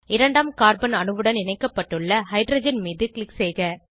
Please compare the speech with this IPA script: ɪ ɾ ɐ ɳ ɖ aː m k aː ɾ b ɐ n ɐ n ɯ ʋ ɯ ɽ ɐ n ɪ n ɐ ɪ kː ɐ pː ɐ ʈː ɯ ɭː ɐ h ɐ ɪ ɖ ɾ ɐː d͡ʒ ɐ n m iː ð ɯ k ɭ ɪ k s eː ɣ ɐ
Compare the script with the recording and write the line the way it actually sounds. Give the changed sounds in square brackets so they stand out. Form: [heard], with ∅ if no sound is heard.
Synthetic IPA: ɪ ɾ ɐ ɳ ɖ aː m k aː ɾ b ɐ n ɐ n ɯ ʋ ɯ ɽ ɐ n ɪ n ɐ ɪ kː ɐ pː ɐ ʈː ɯ ɭː ɐ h ɐ ɪ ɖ ɾ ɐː d͡ʒ ɐ n m iː ð ɯ k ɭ ɪ k s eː ɣ ɐ